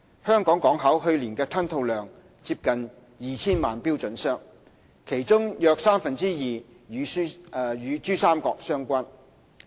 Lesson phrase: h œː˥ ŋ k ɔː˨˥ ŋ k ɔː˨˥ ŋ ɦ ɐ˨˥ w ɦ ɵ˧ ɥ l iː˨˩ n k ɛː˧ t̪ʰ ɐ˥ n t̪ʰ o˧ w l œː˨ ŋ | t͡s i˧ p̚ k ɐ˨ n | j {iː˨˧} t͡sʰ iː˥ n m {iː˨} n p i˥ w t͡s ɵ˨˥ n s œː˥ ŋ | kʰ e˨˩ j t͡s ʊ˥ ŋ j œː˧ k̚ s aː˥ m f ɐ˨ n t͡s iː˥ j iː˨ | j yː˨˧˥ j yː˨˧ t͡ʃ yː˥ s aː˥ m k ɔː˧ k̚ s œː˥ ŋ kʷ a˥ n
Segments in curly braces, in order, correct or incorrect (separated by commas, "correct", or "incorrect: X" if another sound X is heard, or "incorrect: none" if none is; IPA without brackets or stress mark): correct, incorrect: aː˨